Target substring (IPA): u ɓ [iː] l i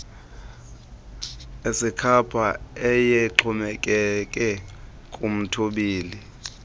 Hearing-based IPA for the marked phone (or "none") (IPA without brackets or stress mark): iː